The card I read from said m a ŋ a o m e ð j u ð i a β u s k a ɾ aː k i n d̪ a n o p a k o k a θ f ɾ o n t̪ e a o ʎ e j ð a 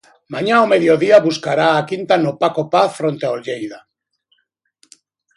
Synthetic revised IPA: m a ɲ a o m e ð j o ð i a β u s k a ɾ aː k i n t̪ a n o p a k o p a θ f ɾ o n t̪ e a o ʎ e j ð a